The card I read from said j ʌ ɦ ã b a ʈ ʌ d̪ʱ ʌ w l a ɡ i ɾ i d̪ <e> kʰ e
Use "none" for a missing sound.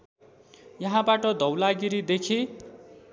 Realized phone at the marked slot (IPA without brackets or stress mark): e